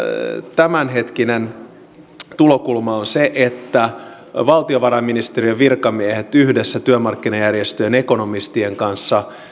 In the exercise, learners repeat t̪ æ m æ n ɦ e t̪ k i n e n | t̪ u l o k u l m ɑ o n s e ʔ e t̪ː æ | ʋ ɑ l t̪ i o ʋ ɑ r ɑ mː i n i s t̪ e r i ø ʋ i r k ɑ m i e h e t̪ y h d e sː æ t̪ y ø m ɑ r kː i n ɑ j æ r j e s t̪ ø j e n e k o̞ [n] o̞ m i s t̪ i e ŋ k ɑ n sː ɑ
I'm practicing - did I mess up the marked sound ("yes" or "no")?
no